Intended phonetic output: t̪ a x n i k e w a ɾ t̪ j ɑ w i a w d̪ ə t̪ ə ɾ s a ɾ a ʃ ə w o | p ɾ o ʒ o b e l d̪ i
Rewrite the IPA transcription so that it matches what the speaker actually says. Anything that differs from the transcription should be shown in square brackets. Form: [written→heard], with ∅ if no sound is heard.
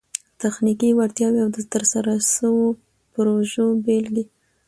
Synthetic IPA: t̪ a x n i k [e→i] w a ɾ t̪ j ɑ w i a w d̪ ə t̪ ə ɾ s a ɾ a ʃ ə w o | p ɾ o ʒ o b e l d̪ i